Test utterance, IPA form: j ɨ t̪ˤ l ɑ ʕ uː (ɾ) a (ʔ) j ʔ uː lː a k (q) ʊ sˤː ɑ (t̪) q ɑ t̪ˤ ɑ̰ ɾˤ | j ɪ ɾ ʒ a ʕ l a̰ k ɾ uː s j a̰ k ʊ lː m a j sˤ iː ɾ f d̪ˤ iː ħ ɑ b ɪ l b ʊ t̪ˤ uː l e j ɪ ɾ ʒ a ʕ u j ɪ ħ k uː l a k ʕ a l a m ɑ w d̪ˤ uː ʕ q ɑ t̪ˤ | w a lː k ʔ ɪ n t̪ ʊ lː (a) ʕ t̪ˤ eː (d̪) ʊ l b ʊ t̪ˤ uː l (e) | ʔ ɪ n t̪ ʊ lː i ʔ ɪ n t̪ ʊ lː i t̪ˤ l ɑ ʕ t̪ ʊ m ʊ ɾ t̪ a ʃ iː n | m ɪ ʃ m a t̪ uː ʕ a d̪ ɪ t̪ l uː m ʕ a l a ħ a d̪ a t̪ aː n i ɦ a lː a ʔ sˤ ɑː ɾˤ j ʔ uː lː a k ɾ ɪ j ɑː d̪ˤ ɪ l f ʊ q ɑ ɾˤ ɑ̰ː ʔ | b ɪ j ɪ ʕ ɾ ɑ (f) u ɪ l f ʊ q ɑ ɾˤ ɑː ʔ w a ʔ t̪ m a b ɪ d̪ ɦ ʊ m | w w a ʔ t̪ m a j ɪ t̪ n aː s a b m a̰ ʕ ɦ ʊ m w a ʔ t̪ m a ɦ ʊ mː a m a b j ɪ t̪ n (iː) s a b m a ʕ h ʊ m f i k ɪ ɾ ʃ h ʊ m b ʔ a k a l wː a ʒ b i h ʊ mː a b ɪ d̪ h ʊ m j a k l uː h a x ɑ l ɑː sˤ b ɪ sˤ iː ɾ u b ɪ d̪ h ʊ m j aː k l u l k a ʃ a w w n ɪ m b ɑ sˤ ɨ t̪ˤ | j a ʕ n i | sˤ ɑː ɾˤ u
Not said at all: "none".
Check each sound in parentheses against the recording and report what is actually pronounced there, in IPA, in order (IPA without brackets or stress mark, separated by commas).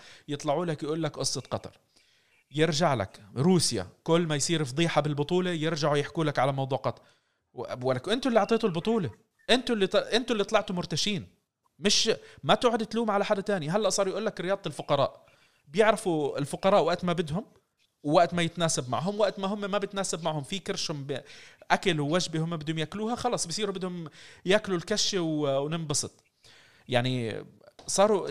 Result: l, k, ʔ, t̪, i, t̪, e, f, aː